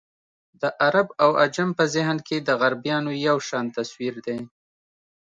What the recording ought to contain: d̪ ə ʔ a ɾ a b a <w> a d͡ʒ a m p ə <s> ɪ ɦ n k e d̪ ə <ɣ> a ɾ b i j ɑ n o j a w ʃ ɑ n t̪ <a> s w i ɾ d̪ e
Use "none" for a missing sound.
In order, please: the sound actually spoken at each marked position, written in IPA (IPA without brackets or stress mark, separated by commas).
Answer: w, z, ɣ, a